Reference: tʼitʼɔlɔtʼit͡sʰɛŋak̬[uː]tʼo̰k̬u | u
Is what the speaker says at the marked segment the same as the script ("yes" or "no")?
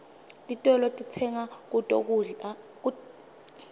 no